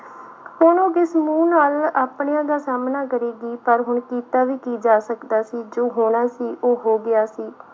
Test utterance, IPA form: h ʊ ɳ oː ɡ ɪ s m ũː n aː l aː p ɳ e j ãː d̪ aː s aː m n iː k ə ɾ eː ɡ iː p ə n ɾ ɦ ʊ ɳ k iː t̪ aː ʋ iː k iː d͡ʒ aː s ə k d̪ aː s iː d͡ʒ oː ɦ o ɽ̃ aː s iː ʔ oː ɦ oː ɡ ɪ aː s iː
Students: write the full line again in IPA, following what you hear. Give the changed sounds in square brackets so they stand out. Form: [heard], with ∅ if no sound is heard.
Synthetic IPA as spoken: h ʊ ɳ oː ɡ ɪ s m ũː n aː l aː p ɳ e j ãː d̪ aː s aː m n [aː] k ə ɾ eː ɡ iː p ə [∅] ɾ ɦ ʊ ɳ k iː t̪ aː ʋ iː k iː d͡ʒ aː s ə k d̪ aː s iː d͡ʒ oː ɦ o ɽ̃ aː s iː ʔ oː ɦ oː ɡ ɪ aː s iː